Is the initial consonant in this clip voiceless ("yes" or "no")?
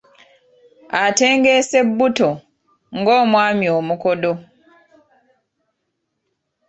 yes